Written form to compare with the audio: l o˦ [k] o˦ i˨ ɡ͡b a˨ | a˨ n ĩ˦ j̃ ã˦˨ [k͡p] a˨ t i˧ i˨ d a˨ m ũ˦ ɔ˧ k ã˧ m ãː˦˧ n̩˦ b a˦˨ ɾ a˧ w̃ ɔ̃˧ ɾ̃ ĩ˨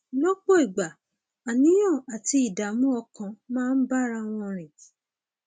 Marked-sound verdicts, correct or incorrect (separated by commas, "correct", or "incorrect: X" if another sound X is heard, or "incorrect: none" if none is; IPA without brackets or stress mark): incorrect: k͡p, incorrect: none